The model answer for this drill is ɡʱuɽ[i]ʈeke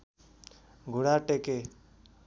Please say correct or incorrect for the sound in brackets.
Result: incorrect